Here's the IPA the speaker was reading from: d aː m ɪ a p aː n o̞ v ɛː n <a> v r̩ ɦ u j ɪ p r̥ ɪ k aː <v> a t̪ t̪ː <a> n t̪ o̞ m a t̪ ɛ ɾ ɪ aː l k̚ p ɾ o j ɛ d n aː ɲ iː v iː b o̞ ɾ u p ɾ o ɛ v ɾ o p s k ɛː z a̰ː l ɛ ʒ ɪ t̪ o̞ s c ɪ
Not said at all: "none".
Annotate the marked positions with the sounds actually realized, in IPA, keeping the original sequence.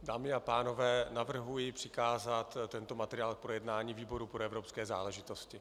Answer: a, z, ɛ

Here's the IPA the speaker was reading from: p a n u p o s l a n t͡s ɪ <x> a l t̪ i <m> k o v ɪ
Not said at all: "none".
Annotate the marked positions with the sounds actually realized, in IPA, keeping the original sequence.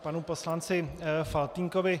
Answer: f, ŋ

